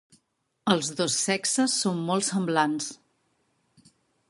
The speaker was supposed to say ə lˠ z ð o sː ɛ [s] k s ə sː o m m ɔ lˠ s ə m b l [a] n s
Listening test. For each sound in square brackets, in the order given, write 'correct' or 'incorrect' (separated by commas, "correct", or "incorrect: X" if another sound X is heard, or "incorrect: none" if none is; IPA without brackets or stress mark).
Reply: incorrect: none, correct